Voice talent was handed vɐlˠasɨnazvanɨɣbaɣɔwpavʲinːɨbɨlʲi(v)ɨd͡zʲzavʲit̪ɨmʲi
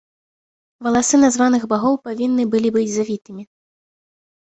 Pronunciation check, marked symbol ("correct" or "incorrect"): incorrect